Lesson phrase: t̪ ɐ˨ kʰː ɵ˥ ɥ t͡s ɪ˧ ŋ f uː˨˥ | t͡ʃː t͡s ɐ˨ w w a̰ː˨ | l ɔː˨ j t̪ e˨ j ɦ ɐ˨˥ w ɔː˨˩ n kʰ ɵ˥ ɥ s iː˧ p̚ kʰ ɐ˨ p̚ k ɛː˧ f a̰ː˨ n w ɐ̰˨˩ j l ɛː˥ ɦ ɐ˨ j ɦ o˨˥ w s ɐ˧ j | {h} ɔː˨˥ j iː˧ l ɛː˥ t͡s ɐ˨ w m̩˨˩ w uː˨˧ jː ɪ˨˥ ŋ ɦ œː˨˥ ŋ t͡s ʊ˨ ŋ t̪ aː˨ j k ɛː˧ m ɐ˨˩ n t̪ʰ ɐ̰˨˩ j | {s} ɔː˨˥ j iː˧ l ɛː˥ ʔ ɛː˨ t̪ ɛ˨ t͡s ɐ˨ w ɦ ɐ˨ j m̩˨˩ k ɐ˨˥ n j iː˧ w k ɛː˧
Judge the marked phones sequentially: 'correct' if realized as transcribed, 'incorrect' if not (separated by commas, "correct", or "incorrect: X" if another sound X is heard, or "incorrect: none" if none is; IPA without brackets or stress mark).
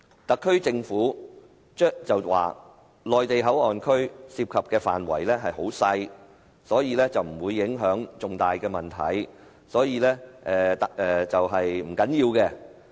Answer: incorrect: s, correct